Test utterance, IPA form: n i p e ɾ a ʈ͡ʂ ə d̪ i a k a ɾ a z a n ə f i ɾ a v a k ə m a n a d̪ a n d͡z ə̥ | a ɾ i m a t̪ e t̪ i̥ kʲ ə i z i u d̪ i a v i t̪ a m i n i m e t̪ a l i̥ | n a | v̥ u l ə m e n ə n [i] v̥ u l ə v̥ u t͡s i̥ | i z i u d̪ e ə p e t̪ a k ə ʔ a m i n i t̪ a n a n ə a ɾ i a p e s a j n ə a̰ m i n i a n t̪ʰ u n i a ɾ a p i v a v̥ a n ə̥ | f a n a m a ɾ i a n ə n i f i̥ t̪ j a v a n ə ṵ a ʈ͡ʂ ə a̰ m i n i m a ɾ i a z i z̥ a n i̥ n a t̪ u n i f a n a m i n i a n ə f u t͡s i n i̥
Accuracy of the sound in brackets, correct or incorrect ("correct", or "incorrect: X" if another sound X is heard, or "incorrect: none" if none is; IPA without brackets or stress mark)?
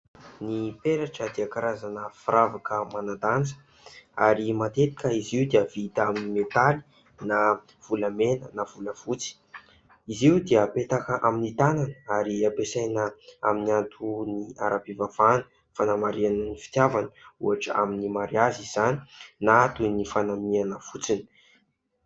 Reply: incorrect: a